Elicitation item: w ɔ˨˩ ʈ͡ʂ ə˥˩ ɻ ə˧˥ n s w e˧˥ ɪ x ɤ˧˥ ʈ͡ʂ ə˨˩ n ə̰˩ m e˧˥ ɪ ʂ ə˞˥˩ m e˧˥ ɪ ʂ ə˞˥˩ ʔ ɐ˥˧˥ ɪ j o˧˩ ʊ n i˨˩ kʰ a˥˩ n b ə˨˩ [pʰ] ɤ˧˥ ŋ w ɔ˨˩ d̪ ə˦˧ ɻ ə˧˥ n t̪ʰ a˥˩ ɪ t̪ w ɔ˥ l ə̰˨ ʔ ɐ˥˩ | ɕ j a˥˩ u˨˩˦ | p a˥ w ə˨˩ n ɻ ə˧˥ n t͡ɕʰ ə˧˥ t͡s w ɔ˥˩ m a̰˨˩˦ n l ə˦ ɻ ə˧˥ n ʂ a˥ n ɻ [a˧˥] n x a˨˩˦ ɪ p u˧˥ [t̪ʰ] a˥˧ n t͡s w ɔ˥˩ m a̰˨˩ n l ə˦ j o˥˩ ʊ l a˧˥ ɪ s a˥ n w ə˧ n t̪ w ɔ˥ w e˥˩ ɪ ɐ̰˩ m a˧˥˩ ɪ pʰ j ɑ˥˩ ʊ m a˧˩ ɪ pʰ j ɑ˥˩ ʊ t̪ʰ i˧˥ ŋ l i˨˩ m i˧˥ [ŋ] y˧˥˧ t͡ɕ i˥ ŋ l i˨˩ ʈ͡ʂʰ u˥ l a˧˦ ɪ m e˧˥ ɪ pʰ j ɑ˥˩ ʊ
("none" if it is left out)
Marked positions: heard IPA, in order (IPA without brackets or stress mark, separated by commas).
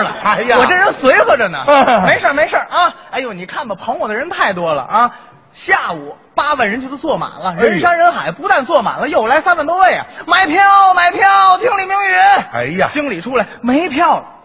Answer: pʰ, ə˧˥, t̪, ŋ